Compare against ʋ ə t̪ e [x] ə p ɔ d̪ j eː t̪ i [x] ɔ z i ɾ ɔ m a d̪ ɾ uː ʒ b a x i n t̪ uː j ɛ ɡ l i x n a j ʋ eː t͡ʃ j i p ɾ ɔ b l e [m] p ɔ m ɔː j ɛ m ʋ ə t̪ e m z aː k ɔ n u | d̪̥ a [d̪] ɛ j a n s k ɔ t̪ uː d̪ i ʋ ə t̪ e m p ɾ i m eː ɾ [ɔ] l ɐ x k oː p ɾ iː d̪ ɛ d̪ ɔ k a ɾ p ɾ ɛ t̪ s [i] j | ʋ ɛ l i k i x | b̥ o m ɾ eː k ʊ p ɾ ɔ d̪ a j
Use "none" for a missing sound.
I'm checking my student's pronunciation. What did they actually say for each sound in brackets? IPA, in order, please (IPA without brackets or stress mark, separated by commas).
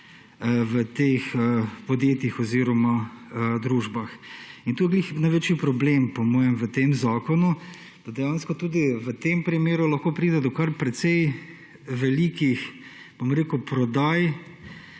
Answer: x, x, m, d̪, u, ɛ